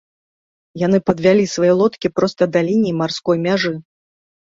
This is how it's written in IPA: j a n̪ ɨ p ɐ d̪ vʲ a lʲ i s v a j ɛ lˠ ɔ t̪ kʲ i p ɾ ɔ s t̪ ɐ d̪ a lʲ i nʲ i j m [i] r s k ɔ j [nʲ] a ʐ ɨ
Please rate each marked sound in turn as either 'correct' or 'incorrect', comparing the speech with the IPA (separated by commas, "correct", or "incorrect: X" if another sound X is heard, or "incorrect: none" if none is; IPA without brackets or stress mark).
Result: incorrect: a, incorrect: mʲ